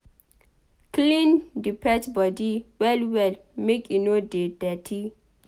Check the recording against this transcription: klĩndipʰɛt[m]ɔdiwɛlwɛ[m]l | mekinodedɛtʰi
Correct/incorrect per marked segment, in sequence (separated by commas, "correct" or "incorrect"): incorrect, incorrect